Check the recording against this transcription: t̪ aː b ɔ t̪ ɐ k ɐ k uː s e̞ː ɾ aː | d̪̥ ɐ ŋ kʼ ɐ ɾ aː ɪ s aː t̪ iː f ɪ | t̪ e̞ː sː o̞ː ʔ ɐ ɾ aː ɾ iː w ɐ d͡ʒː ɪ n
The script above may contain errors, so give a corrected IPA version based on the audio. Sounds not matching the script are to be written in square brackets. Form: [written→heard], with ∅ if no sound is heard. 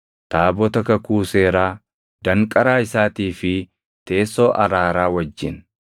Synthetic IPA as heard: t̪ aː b ɔ t̪ ɐ k ɐ k uː s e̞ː ɾ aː | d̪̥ ɐ ŋ kʼ ɐ ɾ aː ɪ s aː t̪ iː f ɪ | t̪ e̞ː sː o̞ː ʔ ɐ ɾ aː ɾ [iː→aː] w ɐ d͡ʒː ɪ n